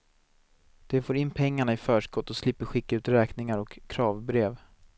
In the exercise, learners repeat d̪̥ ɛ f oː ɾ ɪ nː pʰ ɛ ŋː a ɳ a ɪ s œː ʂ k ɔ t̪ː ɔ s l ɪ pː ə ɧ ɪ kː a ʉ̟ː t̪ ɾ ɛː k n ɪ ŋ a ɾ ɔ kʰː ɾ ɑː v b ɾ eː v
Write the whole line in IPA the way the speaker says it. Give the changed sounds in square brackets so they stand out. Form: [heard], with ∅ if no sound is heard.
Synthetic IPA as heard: d̪̥ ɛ f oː ɾ ɪ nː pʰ ɛ ŋː a ɳ a ɪ [f] œː ʂ k ɔ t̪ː ɔ s l ɪ pː ə ɧ ɪ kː a ʉ̟ː t̪ ɾ ɛː k n ɪ ŋ a ɾ ɔ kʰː ɾ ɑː v b ɾ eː v